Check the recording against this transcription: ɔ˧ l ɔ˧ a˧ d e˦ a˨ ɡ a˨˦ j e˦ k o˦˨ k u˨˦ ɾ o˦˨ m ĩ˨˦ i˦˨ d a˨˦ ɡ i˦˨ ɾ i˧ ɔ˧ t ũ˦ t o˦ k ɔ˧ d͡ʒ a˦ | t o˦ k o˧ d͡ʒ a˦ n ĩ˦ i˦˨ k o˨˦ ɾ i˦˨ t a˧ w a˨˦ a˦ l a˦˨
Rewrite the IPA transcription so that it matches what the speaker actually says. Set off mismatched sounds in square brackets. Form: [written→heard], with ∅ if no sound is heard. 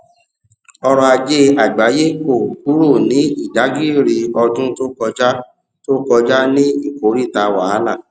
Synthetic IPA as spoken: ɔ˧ [l→ɾ] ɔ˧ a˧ [d→d͡ʒ] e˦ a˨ [ɡ→ɡ͡b] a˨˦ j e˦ k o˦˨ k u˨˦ ɾ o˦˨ [m→n] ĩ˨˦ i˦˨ d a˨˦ ɡ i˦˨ ɾ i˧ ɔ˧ [t→d] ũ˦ t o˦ k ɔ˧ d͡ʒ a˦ | t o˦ k [o˧→ɔ˧] d͡ʒ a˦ n ĩ˦ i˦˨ k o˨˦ ɾ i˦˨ t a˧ w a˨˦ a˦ l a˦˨